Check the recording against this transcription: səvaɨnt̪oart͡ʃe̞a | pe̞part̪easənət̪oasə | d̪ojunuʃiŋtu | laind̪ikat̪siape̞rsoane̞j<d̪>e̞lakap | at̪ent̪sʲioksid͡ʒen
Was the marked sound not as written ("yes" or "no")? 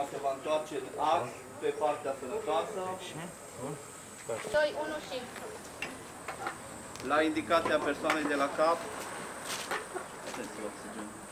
no